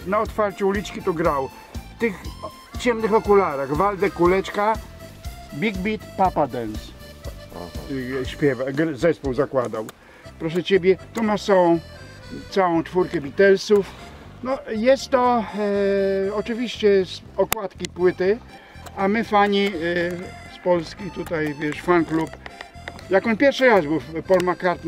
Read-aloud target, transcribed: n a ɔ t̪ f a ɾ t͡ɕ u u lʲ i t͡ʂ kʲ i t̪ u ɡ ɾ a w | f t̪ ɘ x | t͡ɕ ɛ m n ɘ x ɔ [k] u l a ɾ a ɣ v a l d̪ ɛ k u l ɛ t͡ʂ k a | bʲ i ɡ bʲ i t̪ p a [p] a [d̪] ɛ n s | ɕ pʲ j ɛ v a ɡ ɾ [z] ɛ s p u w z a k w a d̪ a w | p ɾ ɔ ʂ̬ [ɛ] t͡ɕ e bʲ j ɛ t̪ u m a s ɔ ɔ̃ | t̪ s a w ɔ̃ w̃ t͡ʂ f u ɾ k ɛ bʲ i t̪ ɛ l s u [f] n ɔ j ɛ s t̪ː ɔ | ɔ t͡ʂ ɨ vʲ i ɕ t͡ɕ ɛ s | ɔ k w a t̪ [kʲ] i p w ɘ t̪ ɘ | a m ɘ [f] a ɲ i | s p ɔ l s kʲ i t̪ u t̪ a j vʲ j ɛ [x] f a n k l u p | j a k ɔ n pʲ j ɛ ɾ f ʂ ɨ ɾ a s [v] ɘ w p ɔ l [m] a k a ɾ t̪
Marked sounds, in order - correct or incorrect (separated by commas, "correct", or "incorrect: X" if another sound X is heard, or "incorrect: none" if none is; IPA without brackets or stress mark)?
correct, correct, correct, correct, correct, correct, correct, correct, incorrect: ʂ, incorrect: b, correct